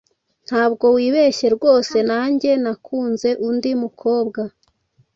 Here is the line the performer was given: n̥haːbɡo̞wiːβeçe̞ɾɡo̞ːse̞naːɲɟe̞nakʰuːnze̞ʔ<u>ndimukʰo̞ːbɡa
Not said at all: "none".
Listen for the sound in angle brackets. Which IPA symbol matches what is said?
u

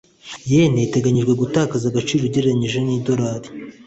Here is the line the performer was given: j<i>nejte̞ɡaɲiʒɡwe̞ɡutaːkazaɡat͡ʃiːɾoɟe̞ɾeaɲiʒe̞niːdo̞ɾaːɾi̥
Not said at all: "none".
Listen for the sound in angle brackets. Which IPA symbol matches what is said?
e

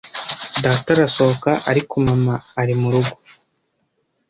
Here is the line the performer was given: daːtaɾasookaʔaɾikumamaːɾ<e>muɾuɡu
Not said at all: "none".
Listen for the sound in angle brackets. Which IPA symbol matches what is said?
i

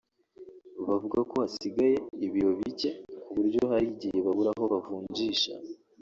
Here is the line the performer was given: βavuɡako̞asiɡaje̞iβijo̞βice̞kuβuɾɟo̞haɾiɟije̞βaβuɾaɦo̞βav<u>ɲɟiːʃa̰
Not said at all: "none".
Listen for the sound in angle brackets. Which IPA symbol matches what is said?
uː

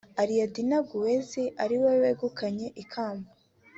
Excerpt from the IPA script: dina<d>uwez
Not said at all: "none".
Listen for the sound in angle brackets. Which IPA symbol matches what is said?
ɡ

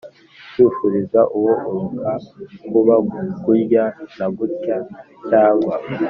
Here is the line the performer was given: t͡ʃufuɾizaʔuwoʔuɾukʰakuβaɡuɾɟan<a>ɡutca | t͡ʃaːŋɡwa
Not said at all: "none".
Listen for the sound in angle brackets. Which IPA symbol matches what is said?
a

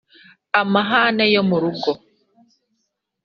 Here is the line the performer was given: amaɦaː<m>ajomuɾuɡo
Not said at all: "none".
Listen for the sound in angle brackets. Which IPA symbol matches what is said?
n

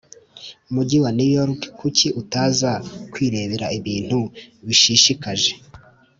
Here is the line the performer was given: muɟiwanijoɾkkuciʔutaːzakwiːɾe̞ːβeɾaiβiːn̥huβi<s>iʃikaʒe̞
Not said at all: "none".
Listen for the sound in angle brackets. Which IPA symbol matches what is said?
ʃ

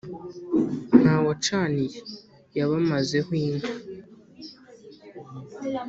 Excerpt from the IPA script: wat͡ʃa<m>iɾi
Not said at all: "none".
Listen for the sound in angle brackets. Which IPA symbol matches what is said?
n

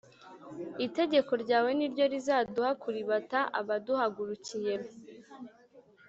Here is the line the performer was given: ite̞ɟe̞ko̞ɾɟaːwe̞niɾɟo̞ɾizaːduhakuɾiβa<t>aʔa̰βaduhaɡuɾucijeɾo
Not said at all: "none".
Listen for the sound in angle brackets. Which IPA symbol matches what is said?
t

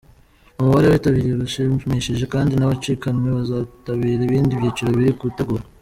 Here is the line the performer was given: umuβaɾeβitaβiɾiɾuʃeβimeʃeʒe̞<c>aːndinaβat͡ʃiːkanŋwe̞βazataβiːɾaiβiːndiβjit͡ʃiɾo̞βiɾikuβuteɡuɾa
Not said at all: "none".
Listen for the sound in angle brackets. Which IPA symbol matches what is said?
k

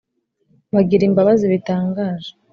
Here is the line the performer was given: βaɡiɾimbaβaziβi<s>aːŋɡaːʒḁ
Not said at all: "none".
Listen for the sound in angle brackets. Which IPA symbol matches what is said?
t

